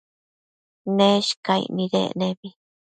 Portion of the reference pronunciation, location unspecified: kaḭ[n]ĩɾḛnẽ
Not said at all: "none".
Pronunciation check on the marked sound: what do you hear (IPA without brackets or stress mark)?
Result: n